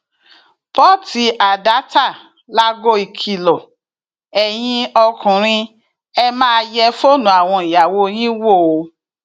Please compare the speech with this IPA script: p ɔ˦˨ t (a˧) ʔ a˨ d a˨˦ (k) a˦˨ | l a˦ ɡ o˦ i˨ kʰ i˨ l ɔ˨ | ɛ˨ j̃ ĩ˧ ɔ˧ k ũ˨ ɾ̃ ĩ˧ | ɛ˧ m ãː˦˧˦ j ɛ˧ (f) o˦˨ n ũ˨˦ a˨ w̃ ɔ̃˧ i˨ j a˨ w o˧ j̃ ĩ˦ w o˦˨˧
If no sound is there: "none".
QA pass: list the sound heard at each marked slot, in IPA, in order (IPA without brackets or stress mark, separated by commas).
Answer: i˧, t, f